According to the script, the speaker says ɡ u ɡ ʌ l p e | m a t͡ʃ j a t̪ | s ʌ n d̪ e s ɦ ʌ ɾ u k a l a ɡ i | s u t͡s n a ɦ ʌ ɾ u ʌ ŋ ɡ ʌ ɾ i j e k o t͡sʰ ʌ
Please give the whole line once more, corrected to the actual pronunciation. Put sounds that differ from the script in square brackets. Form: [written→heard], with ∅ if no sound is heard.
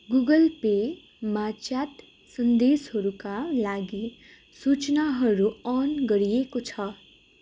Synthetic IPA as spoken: ɡ u ɡ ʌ l p e | m a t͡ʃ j a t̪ | s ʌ n d̪ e s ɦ ʌ ɾ u k a l a ɡ i | s u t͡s n a ɦ ʌ ɾ u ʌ [ŋ→n] ɡ ʌ ɾ i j e k o t͡sʰ ʌ